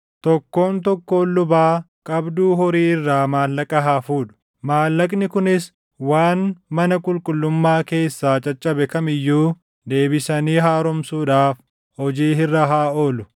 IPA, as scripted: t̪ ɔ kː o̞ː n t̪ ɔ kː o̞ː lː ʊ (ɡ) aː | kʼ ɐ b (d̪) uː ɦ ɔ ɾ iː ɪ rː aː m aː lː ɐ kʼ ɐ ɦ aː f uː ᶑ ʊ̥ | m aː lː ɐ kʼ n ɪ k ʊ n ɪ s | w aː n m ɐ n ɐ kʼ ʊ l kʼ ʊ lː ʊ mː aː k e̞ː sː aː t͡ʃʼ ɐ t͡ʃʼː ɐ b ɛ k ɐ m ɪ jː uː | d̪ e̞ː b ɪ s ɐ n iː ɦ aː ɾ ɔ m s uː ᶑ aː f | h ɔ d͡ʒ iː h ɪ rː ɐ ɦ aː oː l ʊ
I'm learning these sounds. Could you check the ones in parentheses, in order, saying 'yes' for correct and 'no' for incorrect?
no, yes

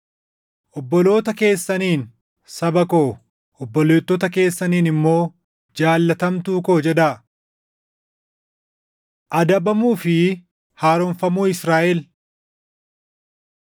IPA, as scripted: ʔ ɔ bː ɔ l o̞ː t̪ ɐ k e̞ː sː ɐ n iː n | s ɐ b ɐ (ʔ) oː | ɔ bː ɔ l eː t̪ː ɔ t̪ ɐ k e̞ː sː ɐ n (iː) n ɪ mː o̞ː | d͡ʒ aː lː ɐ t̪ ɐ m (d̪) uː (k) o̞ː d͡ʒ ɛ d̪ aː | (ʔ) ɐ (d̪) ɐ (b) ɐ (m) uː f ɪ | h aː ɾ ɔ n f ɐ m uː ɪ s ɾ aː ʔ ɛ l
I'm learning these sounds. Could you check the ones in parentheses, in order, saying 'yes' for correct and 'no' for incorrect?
no, yes, no, yes, yes, yes, yes, yes

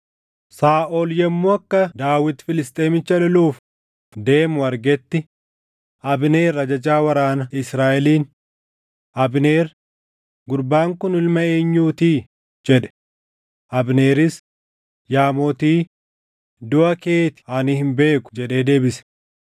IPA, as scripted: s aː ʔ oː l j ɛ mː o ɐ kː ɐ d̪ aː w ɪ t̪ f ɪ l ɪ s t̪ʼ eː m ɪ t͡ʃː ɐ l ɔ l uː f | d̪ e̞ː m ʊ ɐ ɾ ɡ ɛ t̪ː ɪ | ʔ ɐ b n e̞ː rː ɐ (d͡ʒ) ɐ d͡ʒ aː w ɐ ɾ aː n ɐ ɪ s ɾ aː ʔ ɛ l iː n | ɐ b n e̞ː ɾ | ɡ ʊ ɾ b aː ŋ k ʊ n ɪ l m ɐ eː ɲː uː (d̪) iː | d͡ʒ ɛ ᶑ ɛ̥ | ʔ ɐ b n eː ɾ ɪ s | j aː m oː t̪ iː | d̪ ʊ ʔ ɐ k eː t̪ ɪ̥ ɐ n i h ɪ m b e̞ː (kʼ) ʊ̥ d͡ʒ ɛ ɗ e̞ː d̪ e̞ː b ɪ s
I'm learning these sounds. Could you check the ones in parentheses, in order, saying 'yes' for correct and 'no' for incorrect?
yes, no, no

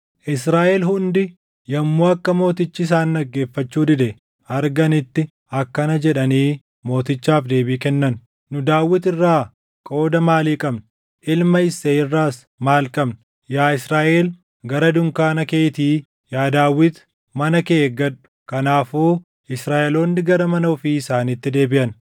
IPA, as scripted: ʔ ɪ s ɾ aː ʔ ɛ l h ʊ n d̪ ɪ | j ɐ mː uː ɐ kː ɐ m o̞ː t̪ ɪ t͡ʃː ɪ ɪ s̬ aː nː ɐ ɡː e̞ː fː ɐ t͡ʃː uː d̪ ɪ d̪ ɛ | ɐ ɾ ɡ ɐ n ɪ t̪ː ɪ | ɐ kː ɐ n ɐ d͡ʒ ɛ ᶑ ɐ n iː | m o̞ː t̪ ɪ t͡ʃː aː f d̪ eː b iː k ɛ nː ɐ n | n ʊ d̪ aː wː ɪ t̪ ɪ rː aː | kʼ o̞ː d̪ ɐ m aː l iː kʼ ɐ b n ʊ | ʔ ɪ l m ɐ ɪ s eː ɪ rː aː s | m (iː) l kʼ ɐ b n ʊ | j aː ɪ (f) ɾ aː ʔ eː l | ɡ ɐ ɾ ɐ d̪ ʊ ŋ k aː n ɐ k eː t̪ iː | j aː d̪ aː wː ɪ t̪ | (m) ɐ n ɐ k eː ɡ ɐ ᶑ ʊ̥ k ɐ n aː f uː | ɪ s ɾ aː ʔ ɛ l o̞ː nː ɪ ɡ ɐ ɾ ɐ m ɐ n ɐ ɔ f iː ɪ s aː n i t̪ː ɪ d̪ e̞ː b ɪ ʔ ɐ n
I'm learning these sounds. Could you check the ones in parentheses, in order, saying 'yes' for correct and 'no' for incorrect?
no, no, yes

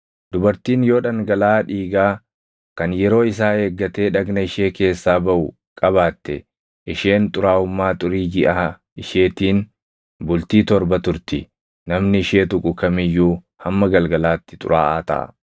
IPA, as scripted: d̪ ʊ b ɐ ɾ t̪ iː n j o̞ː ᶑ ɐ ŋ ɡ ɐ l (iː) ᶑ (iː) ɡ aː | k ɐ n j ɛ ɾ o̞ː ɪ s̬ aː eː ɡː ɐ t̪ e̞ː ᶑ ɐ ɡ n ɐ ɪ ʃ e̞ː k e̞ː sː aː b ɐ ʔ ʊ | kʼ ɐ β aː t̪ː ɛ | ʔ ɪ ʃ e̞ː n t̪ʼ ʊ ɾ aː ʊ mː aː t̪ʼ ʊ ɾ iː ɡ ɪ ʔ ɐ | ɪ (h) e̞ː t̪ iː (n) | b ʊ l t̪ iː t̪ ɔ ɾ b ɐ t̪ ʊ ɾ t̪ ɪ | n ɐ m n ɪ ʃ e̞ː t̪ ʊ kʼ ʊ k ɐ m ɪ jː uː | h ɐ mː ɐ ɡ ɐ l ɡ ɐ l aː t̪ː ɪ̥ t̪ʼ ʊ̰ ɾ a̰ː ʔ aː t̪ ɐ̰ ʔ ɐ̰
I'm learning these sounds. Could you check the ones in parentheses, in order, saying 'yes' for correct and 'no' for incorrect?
no, yes, no, yes

